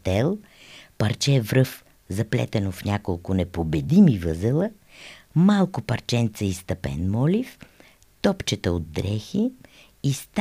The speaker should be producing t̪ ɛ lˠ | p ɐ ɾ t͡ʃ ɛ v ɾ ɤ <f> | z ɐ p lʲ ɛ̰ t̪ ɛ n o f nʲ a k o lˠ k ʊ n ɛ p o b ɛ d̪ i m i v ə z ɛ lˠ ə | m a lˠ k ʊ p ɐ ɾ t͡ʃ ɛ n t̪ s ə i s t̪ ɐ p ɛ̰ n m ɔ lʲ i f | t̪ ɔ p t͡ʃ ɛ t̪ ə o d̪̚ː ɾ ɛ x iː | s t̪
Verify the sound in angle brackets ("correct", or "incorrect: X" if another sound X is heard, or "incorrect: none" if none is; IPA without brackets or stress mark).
correct